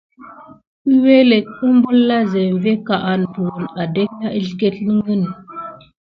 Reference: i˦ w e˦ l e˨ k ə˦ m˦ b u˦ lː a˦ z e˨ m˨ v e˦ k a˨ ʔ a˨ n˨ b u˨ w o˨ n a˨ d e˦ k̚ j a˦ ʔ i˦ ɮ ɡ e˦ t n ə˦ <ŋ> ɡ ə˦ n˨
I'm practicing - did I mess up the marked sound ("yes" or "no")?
no